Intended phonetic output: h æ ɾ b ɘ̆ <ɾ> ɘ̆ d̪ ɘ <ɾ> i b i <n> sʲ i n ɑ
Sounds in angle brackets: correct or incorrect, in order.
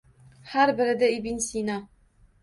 correct, incorrect, correct

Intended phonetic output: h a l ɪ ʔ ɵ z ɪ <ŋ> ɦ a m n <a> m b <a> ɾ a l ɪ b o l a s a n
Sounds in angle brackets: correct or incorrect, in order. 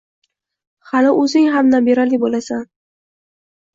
correct, correct, incorrect

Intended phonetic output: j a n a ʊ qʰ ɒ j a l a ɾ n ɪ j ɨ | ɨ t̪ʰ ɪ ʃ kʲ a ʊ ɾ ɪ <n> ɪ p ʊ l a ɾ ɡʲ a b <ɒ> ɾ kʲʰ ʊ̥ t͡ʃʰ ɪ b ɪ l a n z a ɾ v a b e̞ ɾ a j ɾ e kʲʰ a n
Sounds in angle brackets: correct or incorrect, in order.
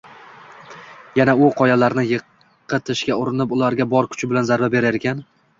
correct, correct

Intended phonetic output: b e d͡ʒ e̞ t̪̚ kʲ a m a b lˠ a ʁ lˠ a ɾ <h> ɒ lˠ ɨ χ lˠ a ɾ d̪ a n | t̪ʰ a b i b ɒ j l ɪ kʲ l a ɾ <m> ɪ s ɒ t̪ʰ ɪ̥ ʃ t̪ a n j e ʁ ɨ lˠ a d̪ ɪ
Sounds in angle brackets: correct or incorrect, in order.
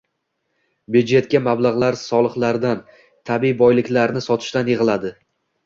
incorrect, incorrect

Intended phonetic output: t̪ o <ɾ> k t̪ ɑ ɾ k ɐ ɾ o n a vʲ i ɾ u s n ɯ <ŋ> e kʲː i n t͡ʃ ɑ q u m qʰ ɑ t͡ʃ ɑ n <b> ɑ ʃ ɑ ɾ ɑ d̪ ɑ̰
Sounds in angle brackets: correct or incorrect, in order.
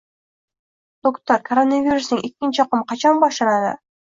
incorrect, correct, correct

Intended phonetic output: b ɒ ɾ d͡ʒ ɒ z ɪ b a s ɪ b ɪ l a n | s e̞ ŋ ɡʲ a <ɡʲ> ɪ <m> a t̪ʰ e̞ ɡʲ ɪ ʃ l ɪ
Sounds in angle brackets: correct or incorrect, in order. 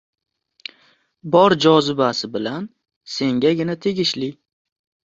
correct, incorrect

